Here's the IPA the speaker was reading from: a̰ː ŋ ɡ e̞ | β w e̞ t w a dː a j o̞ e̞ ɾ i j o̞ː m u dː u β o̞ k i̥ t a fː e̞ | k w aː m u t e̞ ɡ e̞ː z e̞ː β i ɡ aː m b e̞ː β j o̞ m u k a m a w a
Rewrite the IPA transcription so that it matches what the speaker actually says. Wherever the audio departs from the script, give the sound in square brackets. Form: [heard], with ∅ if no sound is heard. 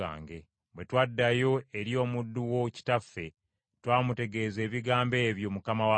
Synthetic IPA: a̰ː ŋ ɡ e̞ | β w e̞ t w a dː a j o̞ e̞ ɾ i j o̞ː m u dː u [w] o̞ [c] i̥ t a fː e̞ | [t] w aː m u t e̞ ɡ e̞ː z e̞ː β i ɡ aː m b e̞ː β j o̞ m u k a m a w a